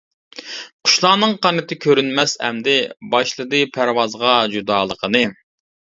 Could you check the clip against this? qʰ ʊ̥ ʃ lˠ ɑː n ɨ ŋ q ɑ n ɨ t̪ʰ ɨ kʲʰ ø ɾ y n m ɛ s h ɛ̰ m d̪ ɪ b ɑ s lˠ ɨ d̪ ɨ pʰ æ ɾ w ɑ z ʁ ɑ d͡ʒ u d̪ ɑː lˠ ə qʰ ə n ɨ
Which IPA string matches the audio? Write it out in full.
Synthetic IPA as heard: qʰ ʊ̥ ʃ lˠ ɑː n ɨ ŋ q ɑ n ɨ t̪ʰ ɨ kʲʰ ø ɾ y n m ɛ s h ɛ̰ m d̪ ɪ b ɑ ʃ lˠ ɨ d̪ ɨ pʰ æ ɾ w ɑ z ʁ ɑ d͡ʒ u d̪ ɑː lˠ ə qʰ ə n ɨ

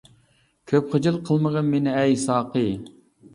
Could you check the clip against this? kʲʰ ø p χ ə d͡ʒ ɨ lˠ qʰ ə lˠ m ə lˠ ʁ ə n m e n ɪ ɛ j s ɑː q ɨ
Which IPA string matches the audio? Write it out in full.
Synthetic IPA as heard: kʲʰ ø p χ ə d͡ʒ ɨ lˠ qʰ ə lˠ m ə ʁ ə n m e n ɪ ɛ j s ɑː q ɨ

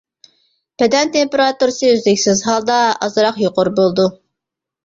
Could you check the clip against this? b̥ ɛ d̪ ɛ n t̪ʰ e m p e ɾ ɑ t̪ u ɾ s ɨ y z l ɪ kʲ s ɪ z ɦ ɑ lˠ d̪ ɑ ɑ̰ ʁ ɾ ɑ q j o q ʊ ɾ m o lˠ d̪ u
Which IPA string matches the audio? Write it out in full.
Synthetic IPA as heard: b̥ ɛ d̪ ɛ n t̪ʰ e m p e ɾ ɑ t̪ u ɾ s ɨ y z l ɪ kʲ s ɪ z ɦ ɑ lˠ d̪ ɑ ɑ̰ z ɾ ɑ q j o q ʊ ɾ b o lˠ d̪ u

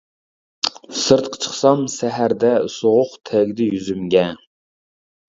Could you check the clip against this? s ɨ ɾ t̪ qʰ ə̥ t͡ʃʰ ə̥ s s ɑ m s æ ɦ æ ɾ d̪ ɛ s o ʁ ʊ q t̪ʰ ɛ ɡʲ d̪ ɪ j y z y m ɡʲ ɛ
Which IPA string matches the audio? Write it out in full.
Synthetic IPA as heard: s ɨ ɾ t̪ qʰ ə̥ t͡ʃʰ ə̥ χ s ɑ m s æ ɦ æ ɾ d̪ ɛ s o ʁ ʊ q t̪ʰ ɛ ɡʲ d̪ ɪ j y z y m ɡʲ ɛ

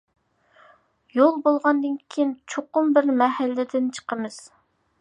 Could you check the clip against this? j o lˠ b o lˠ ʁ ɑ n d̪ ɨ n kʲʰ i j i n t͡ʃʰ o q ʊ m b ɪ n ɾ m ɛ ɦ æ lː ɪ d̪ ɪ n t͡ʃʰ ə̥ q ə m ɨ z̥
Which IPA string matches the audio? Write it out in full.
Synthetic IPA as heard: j o lˠ b o lˠ ʁ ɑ n d̪ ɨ n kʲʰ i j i n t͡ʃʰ o q ʊ m b ɪ ɾ m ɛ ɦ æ lː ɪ d̪ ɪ n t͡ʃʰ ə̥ q ə m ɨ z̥

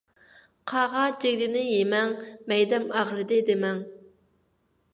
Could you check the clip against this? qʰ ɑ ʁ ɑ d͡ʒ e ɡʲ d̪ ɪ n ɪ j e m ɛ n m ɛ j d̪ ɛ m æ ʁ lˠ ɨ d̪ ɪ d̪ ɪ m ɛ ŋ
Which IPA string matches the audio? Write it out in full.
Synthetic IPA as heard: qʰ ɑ ʁ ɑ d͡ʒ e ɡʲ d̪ ɪ n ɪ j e m ɛ ŋ m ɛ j d̪ ɛ m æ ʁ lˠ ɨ d̪ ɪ d̪ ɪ m ɛ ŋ

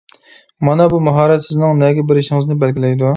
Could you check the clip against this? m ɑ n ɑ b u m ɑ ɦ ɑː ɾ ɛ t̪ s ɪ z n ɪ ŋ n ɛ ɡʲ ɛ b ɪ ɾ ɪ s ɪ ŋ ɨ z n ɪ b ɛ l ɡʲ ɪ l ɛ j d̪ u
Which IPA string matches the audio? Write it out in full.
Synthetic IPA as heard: m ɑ n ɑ b u m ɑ ɦ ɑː ɾ ɛ t̪ s ɪ z n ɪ ŋ n ɛ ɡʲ ɛ b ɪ ɾ ɪ ʃ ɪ ŋ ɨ z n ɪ b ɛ l ɡʲ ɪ l ɛ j d̪ u

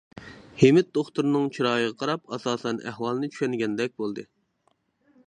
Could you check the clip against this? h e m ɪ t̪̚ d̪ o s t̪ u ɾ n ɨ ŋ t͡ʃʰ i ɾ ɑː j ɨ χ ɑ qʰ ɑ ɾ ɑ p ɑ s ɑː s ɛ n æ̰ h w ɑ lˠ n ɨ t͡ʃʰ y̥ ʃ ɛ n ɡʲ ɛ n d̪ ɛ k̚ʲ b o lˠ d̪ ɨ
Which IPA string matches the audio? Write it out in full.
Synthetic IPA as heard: h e m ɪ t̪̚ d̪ o χ t̪ u ɾ n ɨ ŋ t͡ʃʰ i ɾ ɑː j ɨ ʁ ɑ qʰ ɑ ɾ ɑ p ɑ s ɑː s ɛ n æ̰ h w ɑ lˠ n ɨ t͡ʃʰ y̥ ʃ ɛ n ɡʲ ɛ n d̪ ɛ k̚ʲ b o lˠ d̪ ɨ

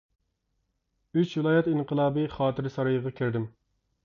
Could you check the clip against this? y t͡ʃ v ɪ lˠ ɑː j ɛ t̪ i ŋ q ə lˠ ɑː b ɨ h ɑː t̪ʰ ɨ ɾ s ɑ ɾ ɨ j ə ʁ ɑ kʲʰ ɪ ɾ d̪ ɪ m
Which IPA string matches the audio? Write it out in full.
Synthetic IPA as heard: y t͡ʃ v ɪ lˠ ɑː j ɛ t̪ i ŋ q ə lˠ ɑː b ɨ χ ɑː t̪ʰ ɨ ɾ s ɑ ɾ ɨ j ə ʁ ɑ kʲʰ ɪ ɾ d̪ ɪ m

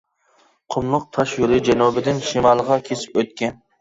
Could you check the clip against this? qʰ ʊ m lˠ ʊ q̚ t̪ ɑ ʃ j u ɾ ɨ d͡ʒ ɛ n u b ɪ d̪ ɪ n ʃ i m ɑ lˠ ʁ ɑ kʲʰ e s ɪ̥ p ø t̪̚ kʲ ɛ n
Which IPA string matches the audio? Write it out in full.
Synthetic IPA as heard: qʰ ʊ m lˠ ʊ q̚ t̪ʰ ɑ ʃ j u ɾ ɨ d͡ʒ ɛ n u b ɪ d̪ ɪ n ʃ i m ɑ lˠ ʁ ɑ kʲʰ e s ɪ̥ p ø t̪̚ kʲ ɛ n

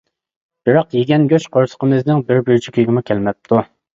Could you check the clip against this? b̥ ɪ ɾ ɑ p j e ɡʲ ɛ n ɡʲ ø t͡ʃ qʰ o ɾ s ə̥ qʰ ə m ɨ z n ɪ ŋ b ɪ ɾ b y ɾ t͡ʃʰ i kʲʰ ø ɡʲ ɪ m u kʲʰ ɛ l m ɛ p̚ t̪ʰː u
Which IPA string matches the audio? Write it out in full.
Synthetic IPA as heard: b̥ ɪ ɾ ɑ q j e ɡʲ ɛ n ɡʲ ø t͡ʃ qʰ o ɾ s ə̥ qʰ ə m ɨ z n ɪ ŋ b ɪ ɾ b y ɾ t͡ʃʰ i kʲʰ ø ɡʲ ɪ m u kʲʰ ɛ l m ɛ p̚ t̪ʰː u

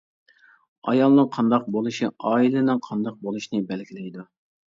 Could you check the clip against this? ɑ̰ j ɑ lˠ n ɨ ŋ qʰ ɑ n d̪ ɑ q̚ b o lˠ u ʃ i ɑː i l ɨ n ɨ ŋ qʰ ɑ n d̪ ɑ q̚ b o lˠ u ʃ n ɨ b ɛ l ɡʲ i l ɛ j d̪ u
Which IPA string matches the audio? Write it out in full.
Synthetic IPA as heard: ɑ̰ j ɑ lˠ n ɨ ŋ qʰ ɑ n d̪ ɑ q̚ b o lˠ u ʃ i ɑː i l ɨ n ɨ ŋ qʰ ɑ n d̪ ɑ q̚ b o lˠ u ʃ n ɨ b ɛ l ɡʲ i l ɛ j d̪ u

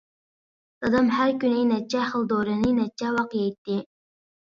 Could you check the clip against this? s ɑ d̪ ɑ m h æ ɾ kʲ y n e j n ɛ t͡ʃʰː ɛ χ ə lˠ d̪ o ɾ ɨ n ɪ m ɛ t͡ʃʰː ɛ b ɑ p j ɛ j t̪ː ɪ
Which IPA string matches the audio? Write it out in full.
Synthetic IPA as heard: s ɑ d̪ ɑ m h æ ɾ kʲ y n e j n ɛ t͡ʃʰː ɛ χ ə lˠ d̪ o ɾ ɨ n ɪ n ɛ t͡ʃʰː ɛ w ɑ q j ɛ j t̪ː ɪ

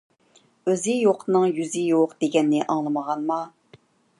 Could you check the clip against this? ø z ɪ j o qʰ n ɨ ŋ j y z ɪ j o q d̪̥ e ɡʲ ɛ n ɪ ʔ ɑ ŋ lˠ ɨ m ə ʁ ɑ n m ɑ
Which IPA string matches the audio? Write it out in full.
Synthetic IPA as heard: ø z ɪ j o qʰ n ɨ ŋ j y z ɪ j o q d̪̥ e ɡʲ ɛ nː ɪ ʔ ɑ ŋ lˠ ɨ m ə ʁ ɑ n m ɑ

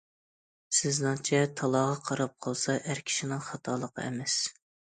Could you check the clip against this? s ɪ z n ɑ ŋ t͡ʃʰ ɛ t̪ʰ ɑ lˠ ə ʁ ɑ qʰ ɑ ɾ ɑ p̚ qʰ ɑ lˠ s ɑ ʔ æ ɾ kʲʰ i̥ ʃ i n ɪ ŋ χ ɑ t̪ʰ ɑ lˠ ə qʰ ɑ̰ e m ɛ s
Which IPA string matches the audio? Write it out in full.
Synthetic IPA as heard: s ɪ z n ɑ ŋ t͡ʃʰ ɛ t̪ʰ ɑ lˠ ɑ ʁ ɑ qʰ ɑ ɾ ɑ p̚ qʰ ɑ lˠ s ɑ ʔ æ ɾ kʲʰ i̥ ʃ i n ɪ ŋ χ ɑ t̪ʰ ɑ lˠ ə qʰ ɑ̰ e m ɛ s

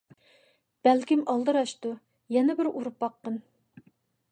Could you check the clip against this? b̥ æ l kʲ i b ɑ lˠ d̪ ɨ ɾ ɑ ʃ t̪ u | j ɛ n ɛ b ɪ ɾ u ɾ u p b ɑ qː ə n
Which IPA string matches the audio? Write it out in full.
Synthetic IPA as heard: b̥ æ l kʲ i m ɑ lˠ d̪ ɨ ɾ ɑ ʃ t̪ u | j ɛ n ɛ b ɪ ɾ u ɾ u p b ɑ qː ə n

